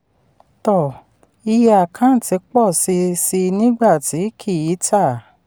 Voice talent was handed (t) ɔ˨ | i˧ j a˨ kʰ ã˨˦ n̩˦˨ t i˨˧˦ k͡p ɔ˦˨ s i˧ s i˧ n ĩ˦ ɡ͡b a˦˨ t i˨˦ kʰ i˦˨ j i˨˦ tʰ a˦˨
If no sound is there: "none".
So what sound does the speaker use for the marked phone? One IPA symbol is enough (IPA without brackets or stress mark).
t